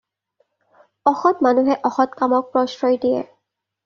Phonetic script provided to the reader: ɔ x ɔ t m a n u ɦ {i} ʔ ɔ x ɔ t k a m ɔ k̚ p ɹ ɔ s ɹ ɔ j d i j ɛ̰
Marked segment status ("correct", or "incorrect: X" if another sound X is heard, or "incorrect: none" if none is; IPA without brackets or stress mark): incorrect: ɛ